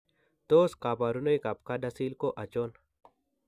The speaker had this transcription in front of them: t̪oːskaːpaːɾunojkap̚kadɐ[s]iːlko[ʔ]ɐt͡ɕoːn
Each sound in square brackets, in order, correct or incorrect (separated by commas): correct, correct